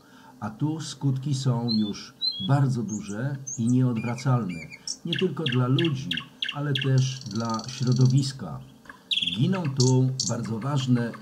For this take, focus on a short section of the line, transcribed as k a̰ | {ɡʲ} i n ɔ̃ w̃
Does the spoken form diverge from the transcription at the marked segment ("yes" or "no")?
no